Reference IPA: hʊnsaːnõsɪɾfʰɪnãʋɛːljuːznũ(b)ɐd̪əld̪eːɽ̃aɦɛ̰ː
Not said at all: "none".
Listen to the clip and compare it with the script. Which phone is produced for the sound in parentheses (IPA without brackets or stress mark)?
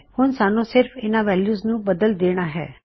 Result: b